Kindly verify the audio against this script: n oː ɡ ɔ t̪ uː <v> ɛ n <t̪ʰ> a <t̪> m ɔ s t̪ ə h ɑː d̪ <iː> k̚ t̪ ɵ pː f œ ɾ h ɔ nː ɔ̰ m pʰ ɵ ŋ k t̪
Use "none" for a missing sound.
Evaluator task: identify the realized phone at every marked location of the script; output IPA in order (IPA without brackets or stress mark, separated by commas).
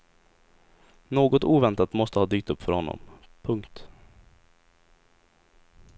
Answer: v, t̪, t̪, yː